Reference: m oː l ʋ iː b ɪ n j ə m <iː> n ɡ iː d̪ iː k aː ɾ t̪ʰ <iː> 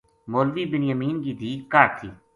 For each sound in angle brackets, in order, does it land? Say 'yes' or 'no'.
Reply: yes, yes

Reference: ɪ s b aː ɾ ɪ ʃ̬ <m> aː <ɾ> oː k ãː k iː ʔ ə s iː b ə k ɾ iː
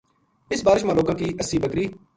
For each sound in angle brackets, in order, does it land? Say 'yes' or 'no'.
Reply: yes, no

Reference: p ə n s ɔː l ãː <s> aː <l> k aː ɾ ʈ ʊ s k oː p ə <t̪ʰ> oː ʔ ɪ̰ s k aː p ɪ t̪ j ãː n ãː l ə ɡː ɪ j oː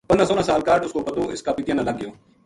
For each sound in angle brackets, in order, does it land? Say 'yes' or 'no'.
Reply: yes, yes, no

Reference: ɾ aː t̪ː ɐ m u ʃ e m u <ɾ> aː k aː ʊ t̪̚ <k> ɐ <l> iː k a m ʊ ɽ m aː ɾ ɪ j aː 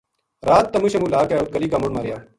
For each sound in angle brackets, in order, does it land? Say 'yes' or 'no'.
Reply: no, yes, yes

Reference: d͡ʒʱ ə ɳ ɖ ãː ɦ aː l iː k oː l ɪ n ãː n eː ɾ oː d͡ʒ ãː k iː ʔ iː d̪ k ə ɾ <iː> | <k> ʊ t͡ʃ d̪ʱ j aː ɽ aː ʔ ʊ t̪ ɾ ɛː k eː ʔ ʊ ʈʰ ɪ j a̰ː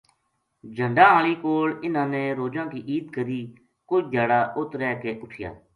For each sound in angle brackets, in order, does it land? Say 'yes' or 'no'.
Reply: yes, yes

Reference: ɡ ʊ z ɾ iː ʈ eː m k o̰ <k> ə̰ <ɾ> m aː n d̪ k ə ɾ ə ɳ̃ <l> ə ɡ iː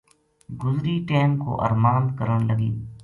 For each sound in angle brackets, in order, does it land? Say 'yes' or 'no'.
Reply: no, yes, yes

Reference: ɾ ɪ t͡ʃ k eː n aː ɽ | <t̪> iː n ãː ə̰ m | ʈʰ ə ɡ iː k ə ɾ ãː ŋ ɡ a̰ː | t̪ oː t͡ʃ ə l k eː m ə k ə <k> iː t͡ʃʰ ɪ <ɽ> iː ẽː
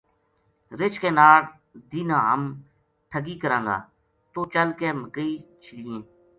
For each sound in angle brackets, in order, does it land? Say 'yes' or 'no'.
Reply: no, no, no

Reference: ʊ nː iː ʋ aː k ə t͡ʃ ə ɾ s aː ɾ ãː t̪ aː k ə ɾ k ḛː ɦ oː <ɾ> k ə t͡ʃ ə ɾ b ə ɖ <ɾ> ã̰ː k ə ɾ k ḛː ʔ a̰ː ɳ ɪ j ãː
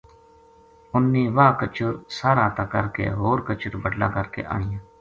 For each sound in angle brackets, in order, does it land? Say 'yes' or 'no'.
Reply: yes, no

